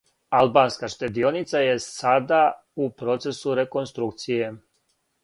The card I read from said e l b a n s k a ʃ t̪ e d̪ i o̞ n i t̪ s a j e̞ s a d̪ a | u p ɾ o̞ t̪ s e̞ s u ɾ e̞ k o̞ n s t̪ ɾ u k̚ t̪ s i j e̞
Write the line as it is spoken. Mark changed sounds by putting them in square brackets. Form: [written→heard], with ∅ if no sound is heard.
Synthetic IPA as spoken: [e→a] l b a n s k a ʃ t̪ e d̪ i o̞ n i t̪ s a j e̞ s a d̪ a | u p ɾ o̞ t̪ s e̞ s u ɾ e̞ k o̞ n s t̪ ɾ u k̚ t̪ s i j e̞